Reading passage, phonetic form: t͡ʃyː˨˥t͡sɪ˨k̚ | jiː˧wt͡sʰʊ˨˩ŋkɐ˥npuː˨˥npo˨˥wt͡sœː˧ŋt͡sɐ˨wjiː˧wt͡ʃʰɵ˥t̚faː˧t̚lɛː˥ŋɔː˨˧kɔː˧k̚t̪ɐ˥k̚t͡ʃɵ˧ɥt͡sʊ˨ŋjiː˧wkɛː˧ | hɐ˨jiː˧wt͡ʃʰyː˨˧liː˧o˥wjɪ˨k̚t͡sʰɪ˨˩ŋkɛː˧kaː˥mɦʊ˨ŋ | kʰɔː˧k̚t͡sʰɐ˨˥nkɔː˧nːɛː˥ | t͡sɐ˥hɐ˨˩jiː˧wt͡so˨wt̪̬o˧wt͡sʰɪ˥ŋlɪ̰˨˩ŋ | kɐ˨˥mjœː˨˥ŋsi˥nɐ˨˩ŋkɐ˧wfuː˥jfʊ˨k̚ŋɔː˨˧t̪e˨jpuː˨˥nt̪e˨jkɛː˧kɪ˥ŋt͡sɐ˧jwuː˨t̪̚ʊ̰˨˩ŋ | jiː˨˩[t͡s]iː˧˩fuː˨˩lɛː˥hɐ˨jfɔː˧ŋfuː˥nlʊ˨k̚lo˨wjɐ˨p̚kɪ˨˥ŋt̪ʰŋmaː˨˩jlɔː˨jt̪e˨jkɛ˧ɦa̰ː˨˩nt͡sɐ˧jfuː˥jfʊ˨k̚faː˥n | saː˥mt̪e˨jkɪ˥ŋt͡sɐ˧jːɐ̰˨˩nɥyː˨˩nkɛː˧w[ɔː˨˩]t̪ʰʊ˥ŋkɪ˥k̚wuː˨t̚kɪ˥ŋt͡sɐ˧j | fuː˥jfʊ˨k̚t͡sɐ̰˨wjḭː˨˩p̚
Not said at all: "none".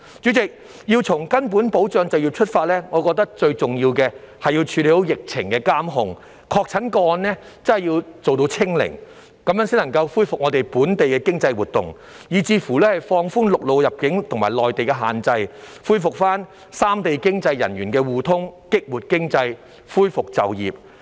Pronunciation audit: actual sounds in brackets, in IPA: t͡s, uː˨˩

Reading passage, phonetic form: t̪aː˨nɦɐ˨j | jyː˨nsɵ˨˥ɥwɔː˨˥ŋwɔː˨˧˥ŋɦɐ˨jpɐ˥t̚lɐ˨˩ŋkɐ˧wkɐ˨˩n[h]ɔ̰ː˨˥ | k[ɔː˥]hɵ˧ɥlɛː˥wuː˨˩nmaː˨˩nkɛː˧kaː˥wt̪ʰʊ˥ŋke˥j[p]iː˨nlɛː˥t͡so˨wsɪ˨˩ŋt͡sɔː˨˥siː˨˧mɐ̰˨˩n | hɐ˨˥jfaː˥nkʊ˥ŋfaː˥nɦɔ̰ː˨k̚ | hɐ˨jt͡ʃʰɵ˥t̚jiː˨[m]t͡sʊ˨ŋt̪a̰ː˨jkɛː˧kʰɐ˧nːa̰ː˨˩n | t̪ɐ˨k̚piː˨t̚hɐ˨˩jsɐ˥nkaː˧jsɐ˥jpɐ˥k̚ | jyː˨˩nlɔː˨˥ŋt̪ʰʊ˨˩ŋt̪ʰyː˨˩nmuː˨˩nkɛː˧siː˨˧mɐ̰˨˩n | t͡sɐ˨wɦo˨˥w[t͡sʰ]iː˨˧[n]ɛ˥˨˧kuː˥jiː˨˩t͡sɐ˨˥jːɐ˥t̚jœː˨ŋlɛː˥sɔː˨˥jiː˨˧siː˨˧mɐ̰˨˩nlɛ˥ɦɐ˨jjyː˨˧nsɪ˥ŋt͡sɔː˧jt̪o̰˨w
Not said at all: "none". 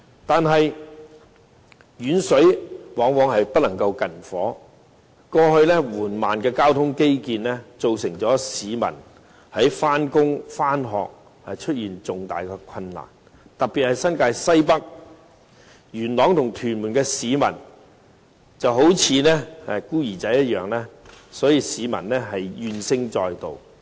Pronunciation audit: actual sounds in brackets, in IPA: f, ɔː˧, k, n, t͡sʰ, n

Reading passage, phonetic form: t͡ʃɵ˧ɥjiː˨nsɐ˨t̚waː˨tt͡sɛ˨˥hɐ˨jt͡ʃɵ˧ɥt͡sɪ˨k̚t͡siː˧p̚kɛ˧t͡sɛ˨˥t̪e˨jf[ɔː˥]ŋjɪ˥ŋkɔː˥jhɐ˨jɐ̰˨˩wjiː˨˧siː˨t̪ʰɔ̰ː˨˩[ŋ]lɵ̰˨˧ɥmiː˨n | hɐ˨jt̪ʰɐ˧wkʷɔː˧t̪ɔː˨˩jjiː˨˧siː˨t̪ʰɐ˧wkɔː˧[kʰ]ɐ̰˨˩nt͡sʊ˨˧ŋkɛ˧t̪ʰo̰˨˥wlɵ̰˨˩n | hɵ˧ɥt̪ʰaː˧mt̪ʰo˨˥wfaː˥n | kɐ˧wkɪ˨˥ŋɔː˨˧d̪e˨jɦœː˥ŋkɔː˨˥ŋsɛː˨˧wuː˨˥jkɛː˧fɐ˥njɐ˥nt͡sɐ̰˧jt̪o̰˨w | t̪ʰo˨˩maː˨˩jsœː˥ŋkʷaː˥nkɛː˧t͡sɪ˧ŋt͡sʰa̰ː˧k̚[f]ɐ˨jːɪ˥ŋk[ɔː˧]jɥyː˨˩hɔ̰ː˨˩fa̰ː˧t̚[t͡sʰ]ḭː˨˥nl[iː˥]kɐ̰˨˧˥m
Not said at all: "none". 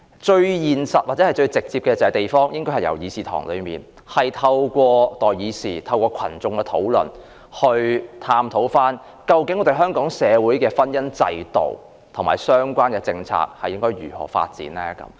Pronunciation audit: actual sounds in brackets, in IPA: ɔː˥, ŋ, kʰ, h, ɔː˥, t͡s, ɛː˥

